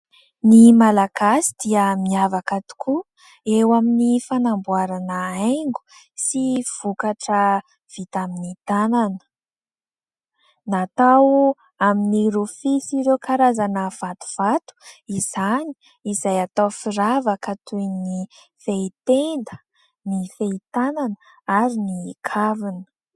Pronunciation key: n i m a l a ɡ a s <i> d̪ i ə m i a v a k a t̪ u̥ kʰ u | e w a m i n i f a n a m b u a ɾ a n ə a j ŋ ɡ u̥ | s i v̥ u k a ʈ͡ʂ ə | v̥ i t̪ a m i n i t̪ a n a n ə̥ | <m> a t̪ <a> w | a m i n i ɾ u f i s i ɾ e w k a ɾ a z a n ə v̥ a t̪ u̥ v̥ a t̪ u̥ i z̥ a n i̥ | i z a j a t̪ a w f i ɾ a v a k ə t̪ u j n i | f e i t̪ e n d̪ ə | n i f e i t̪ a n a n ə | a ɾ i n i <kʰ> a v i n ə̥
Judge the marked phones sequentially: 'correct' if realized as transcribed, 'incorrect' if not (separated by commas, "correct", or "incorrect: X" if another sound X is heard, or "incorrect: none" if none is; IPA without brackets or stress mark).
correct, incorrect: n, correct, correct